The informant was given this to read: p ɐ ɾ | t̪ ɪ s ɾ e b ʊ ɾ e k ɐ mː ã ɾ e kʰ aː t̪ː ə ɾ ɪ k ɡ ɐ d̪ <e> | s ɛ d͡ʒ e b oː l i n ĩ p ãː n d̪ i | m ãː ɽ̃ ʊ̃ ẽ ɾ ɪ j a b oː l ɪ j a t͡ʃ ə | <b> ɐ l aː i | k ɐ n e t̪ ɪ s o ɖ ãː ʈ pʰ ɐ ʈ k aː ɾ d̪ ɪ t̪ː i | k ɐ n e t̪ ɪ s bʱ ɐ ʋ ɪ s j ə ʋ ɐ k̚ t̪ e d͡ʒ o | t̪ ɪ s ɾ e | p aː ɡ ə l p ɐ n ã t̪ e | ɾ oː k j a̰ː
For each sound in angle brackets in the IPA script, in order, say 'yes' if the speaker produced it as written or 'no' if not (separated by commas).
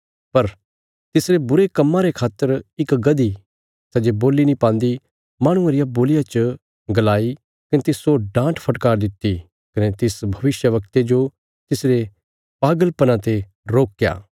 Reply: no, no